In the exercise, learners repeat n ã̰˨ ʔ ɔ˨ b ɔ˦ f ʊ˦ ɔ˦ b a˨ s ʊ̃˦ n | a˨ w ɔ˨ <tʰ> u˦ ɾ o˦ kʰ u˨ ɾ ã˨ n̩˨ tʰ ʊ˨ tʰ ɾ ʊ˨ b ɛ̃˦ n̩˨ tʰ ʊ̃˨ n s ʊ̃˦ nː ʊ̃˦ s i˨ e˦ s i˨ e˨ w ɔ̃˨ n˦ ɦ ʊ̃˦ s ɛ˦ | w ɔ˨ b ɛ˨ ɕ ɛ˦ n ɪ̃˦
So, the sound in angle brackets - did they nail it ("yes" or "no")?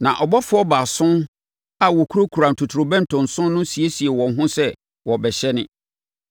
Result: no